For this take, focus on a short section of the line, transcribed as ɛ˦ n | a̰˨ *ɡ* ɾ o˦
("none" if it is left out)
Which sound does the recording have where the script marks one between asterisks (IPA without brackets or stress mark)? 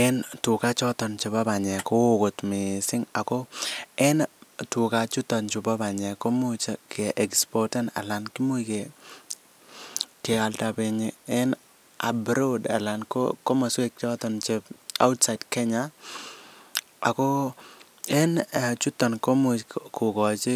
b